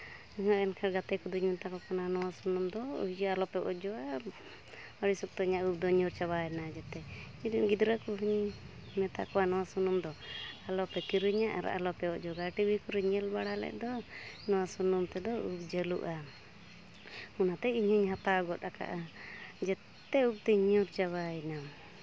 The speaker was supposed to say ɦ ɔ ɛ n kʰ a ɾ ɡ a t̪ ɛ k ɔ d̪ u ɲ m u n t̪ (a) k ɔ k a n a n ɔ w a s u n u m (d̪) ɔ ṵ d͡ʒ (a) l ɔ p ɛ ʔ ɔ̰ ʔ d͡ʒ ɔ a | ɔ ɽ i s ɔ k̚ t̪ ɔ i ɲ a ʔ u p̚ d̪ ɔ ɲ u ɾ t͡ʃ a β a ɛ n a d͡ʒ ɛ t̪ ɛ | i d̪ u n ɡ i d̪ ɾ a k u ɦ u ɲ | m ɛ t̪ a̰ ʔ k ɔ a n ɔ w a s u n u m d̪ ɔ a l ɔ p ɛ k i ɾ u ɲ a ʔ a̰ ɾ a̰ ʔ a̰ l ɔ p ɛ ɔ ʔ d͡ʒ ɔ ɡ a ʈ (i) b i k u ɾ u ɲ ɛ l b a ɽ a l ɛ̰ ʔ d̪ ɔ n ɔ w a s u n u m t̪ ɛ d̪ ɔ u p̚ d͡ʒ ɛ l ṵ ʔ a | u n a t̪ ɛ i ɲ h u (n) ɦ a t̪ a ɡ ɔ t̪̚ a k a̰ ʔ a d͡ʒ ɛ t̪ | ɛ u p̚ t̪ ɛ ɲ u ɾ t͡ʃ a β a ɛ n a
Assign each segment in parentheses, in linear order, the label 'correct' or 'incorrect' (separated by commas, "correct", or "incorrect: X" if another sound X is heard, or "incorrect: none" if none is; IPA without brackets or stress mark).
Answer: correct, correct, correct, correct, incorrect: ɲ